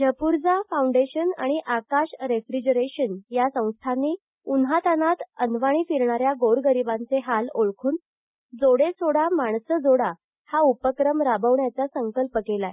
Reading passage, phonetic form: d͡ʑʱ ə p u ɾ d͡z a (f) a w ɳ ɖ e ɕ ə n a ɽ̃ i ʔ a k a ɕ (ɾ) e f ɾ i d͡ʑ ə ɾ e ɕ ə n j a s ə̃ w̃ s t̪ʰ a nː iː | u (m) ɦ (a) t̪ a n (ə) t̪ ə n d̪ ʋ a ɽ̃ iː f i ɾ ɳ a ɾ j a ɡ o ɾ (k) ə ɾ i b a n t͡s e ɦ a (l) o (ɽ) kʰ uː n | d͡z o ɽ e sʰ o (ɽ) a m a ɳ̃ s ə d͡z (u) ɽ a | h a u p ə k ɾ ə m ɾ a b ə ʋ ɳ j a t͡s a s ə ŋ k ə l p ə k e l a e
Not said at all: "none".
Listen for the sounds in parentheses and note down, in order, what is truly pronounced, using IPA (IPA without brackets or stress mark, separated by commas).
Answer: f, ɾ, n, a, a, ɡ, l, ɭ, ɽ, o